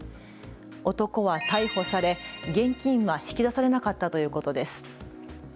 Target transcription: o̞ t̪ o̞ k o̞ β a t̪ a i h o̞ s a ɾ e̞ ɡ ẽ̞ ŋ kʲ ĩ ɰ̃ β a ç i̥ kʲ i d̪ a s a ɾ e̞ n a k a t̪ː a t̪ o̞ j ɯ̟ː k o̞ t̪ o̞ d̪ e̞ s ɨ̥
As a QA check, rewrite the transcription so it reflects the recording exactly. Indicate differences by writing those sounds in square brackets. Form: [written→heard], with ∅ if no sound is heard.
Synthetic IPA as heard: o̞ t̪ o̞ k o̞ β a t̪ a i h o̞ s a ɾ e̞ ɡ ẽ̞ ŋ kʲ ĩ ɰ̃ β a ç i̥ kʲ i d̪ a s a ɾ e̞ n a k a t̪ː a t̪ o̞ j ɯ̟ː k o̞ t̪ o̞ d̪ e̞ s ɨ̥